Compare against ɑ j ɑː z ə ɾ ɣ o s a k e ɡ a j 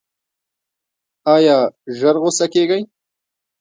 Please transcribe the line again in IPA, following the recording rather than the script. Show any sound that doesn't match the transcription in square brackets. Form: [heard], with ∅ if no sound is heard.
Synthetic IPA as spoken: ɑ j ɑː [ʒ] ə ɾ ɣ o s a k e ɡ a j